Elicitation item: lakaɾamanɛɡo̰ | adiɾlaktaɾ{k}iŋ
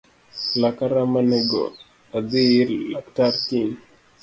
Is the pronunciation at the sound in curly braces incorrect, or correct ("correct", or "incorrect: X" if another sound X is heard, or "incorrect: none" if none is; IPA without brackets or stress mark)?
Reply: correct